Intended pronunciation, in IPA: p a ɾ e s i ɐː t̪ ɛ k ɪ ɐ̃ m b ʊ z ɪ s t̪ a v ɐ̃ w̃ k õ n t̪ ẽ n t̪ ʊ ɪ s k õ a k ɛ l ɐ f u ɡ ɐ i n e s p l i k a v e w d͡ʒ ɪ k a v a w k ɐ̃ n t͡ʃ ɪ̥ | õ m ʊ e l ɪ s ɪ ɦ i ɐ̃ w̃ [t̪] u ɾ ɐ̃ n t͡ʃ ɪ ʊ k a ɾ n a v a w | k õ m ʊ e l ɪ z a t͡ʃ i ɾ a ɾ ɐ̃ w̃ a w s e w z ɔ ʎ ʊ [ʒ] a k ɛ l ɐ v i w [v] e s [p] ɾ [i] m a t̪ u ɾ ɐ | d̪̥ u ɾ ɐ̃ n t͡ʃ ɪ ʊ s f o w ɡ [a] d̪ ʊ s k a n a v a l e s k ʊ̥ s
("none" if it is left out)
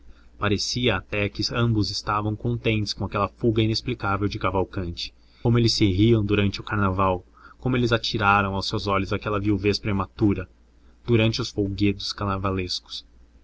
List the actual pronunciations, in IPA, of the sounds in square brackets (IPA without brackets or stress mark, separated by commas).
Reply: d̪, z, v, p, e, e